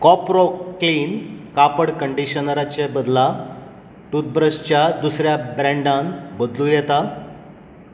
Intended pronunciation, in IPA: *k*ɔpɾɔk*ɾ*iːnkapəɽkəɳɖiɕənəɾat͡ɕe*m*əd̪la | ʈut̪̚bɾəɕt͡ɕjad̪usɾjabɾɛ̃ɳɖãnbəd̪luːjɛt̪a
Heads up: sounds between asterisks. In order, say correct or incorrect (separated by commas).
correct, incorrect, incorrect